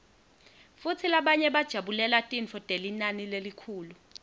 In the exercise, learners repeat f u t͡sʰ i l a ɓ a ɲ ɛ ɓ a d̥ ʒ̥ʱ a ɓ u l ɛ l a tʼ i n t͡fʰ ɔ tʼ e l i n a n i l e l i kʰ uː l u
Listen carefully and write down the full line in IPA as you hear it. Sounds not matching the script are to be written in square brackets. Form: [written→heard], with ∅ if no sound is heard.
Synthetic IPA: f u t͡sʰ i l a ɓ a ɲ ɛ ɓ a d̥ ʒ̥ʱ a ɓ u l ɛ l a tʼ i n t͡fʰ ɔ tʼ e l i n a n i l e l i kʰ uː l u